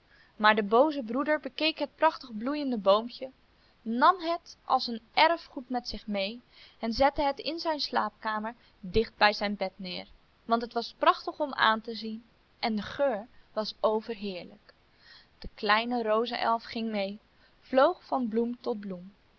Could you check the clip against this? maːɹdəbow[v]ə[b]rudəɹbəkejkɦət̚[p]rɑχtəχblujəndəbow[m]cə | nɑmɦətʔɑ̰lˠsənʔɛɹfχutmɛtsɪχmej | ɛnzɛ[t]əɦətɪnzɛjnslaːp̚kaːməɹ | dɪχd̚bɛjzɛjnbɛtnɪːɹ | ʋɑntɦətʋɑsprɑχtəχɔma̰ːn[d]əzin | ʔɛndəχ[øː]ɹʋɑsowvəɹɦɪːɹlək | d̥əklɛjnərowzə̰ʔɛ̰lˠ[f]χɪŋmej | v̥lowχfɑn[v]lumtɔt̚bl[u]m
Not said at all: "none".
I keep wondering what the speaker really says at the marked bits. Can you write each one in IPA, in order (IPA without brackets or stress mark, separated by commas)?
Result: z, b, p, m, t, t, øː, f, b, u